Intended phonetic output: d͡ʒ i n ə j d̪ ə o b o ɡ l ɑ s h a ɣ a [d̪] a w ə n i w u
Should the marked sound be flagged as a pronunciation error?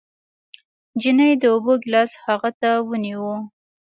yes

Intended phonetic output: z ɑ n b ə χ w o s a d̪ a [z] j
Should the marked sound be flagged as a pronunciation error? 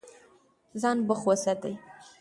yes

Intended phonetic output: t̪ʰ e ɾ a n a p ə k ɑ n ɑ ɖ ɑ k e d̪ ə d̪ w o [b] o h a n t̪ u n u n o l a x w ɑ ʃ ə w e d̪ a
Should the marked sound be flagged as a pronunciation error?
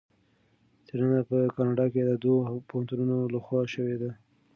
yes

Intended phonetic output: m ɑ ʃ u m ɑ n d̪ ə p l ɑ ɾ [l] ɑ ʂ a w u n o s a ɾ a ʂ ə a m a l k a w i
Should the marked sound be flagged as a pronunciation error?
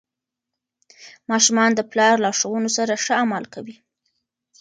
no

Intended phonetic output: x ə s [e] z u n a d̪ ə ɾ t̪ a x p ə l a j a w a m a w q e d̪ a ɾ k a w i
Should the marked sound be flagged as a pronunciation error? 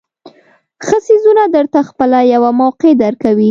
yes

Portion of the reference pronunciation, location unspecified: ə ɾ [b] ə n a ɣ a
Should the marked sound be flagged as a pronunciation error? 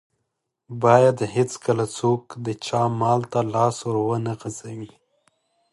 yes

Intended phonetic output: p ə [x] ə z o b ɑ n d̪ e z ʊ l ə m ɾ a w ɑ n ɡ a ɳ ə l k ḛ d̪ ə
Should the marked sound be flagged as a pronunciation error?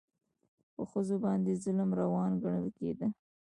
no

